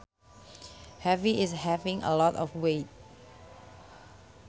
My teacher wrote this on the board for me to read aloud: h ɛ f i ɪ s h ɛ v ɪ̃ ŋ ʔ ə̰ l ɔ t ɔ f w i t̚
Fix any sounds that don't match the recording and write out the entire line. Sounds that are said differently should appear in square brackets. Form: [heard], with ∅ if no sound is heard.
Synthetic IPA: h ɛ [v] i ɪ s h ɛ v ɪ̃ ŋ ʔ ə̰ l ɔ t ɔ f w [e] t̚